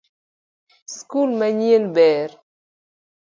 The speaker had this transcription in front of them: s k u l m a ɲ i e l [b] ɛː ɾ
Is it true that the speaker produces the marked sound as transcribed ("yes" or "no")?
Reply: yes